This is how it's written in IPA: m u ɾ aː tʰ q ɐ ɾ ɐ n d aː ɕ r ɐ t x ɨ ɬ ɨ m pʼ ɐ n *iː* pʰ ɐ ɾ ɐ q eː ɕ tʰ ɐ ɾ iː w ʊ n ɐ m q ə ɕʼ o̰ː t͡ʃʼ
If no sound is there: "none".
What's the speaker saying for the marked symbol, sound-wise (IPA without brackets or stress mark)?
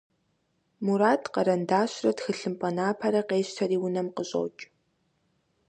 aː